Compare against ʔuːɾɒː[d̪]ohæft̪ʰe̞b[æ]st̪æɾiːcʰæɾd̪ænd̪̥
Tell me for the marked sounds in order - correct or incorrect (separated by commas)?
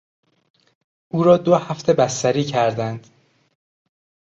correct, correct